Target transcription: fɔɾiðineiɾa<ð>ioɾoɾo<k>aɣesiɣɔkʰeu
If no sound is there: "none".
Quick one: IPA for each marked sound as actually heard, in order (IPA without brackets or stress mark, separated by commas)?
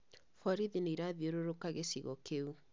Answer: ð, k